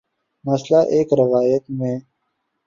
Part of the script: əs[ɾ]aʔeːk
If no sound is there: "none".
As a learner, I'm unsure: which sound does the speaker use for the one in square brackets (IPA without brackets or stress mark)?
l